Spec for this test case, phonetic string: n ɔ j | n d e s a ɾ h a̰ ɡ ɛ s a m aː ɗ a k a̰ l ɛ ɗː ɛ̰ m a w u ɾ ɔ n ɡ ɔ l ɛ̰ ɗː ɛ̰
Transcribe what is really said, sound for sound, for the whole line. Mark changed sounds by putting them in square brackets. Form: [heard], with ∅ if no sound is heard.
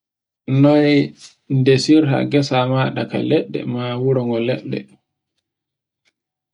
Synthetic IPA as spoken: n ɔ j | n d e s [i] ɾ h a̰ ɡ ɛ s a m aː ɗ a k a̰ l ɛ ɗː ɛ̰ m a w u ɾ ɔ [ŋ] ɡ ɔ l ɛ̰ ɗː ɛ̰

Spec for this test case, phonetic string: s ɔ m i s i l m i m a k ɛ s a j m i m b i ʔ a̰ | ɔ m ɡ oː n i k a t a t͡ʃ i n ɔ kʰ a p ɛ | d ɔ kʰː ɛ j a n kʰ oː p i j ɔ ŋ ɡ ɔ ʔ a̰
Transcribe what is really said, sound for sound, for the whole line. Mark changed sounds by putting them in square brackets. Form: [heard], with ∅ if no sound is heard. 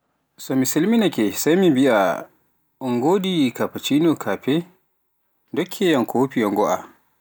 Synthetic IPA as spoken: s ɔ m i s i l m i [n] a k ɛ s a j m i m b i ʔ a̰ | ɔ [ŋ] ɡ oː [d] i k a [p] a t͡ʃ i n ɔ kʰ a p ɛ | d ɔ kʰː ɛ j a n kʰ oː p i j ɔ ŋ ɡ ɔ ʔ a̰

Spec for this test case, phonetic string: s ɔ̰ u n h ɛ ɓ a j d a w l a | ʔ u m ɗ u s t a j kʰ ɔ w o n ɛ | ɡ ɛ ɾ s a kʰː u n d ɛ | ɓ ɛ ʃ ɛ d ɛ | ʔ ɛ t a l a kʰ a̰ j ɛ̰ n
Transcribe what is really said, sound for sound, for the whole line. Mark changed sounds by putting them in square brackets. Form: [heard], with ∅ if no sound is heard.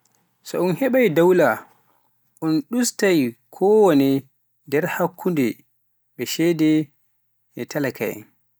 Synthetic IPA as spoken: s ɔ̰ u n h ɛ ɓ a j d a w l a | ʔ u [n] ɗ u s t a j kʰ ɔ w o n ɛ | [d] ɛ ɾ [h] a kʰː u n d ɛ | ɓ ɛ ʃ ɛ d ɛ | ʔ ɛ t a l a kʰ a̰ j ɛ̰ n

